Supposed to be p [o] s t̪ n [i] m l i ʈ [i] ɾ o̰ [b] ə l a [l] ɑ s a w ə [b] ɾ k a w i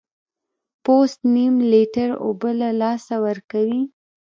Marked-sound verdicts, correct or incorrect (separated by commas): correct, correct, incorrect, correct, correct, incorrect